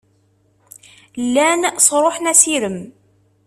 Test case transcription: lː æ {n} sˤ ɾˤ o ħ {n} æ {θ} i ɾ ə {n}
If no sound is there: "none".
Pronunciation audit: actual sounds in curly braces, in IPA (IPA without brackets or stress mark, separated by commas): n, n, s, m